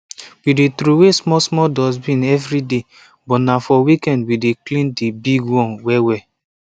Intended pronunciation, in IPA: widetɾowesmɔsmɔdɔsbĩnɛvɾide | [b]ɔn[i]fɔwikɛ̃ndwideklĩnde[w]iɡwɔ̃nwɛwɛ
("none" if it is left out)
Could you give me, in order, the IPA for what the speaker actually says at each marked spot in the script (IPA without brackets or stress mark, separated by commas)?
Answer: b, a, b